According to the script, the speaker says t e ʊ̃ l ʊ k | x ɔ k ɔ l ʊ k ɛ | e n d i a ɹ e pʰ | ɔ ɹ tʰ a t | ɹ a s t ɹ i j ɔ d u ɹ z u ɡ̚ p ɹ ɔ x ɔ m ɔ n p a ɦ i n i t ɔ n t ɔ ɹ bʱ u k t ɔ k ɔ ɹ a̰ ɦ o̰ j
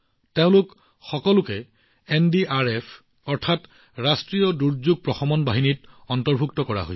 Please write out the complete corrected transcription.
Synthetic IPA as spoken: t e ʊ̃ l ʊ k | x ɔ k ɔ l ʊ k ɛ | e n d i a ɹ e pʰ | ɔ ɹ tʰ a t | ɹ a s t ɹ i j ɔ d u ɹ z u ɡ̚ p ɹ ɔ x ɔ m ɔ n b a ɦ i n i t ɔ n t ɔ ɹ bʱ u k t ɔ k ɔ ɹ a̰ ɦ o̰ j